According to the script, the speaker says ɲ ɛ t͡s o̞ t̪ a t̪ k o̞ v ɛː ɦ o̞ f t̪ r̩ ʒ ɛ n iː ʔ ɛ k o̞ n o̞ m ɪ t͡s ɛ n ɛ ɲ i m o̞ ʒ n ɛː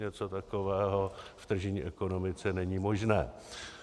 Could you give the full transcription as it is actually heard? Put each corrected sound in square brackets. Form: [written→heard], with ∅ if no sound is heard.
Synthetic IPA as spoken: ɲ ɛ t͡s o̞ t̪ a [t̪→∅] k o̞ v ɛː ɦ o̞ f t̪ r̩ ʒ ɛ [n→ɲ] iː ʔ ɛ k o̞ n o̞ m ɪ t͡s ɛ n ɛ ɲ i m o̞ ʒ n ɛː